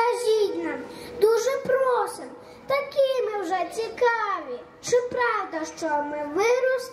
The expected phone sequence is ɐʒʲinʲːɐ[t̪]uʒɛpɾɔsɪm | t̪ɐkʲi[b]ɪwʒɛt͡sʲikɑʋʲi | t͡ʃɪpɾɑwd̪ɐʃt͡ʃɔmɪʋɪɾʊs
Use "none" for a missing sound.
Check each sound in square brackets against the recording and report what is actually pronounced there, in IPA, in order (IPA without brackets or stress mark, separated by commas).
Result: d̪, m